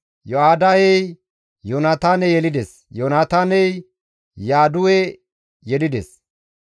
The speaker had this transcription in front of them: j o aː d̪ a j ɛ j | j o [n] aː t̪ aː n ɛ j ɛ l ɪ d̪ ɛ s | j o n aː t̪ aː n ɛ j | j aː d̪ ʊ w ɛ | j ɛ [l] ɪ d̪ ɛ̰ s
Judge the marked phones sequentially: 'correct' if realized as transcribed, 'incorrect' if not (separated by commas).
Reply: correct, correct